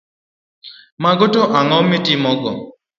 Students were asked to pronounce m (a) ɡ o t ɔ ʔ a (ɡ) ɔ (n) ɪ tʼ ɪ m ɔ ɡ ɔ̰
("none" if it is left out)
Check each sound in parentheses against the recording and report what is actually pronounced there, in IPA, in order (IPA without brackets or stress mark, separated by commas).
a, ŋ, m